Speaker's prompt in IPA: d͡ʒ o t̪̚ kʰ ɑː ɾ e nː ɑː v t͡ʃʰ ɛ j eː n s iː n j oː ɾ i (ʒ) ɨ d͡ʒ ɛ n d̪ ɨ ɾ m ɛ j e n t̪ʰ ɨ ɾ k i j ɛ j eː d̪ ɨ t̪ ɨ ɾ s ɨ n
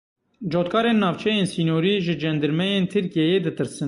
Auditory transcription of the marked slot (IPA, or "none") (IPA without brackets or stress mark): ʒ